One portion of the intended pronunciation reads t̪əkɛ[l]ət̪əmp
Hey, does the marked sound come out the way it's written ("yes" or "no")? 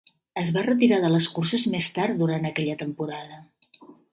no